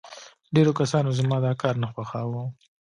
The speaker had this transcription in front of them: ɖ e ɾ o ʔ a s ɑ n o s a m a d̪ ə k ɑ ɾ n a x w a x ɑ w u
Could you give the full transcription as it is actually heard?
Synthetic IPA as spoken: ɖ e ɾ o k a s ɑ n o z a m ɑ d̪ ɑ k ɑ ɾ n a x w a x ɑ w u

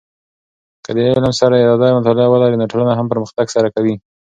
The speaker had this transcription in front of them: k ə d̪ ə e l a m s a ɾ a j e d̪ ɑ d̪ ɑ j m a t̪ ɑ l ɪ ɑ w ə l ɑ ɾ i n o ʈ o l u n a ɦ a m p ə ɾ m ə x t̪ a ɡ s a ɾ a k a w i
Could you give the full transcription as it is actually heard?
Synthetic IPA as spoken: k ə d̪ ə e l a m s a ɾ a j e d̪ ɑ d̪ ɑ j m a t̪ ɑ l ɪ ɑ w ə l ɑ ɾ i n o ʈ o l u n a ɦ a m p ə ɾ m ə x t̪ a ɡ s a ɾ a k a w i

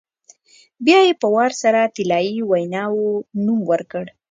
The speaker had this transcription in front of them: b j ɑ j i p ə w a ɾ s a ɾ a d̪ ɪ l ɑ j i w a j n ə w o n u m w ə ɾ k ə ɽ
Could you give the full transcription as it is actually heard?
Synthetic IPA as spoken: b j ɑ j e p ə w ɑ ɾ s a ɾ a t̪ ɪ l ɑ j i w a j n ɑ w o n u m w ə ɾ k ə ɽ

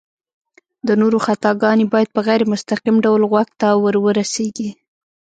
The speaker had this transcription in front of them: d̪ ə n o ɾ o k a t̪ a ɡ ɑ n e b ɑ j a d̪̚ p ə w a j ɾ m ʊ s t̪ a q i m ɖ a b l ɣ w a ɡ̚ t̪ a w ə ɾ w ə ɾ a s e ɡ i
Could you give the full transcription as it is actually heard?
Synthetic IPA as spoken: d̪ ə n o ɾ o x a t̪ ɑ ɡ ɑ n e b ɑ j a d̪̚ p ə ɣ a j ɾ m ʊ s t̪ a q i m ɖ a w l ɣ w a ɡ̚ t̪ a w ə ɾ w ə ɾ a s e ɡ i

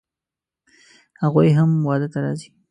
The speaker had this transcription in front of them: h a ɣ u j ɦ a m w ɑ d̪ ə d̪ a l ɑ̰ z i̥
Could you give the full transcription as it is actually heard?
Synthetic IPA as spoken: h a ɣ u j ɦ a m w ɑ d̪ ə t̪ a ɾ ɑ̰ z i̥

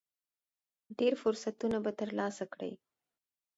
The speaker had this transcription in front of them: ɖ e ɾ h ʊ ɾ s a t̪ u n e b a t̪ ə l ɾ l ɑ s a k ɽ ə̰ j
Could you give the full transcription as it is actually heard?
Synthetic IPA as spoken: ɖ e ɾ f ʊ ɾ s a t̪ u n a b a t̪ ə ɾ l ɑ s a k ɽ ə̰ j

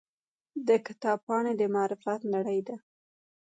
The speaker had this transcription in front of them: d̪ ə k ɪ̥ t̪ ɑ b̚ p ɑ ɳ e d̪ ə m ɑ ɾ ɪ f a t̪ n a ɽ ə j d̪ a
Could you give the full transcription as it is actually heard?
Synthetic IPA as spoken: d̪ ə k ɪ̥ t̪ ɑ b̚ p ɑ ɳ e d̪ ə m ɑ ɾ ɪ f a t̪ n a ɽ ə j d̪ a

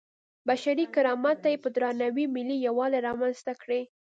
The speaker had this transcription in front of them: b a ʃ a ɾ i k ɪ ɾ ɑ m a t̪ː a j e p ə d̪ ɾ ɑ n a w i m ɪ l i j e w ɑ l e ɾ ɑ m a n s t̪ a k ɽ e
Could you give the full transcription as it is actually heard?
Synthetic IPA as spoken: b a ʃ a ɾ i k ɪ ɾ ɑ m a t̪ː a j e p ə d̪ ɾ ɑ n a w i m ɪ l i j a w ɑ l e ɾ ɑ m a n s t̪ a k ɽ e

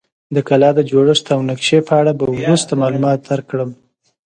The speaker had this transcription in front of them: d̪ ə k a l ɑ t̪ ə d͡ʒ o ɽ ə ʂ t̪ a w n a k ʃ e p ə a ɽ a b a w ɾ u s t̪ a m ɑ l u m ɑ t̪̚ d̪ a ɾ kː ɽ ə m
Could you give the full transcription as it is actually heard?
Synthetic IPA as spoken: d̪ ə k a l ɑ d̪ ə d͡ʒ o ɽ ə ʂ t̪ a w n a k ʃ e p ə a ɽ a b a w ɾ u s t̪ a m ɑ l u m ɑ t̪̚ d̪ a ɾ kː ɽ ə m

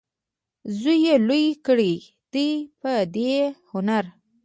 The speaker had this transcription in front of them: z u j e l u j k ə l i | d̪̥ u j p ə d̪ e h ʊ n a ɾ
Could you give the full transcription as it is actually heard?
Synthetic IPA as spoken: z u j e l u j k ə ɽ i | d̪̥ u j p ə d̪ e h ʊ n a ɾ

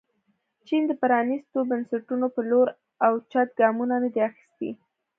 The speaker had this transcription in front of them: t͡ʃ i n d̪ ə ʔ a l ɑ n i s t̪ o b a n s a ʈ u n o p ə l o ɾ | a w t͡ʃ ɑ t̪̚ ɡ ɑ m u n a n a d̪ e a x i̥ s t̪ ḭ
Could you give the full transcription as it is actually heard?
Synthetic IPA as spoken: t͡ʃ i n d̪ ə p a ɾ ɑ n i s t̪ o b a n s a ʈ u n o p ə l o ɾ | a w t͡ʃ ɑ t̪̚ ɡ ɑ m u n a n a d̪ e a x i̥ s t̪ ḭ

